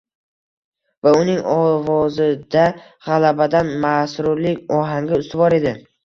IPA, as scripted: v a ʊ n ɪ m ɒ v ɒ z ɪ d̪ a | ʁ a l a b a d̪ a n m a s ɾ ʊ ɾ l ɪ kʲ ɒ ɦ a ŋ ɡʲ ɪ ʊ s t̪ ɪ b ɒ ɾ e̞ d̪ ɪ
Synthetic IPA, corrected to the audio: v a ʊ n ɪ ŋ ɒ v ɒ z ɪ d̪ a | ʁ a l a b a d̪ a n m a s ɾ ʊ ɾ l ɪ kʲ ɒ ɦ a ŋ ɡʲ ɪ ʊ s t̪ ɪ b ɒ ɾ e̞ d̪ ɪ